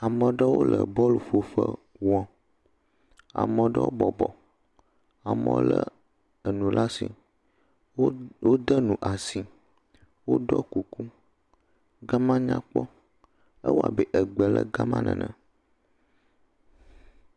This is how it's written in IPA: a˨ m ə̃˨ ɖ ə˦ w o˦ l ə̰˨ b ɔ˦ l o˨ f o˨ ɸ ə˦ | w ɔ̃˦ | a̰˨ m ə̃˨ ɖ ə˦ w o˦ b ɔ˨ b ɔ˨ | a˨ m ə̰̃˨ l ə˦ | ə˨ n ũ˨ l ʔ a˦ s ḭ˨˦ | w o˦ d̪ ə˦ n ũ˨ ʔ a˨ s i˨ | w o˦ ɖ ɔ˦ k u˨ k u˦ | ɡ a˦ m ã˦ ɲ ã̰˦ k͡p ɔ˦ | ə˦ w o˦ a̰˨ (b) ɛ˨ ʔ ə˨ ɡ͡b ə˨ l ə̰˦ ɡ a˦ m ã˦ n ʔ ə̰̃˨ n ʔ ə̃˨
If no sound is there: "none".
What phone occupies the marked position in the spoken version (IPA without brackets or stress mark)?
b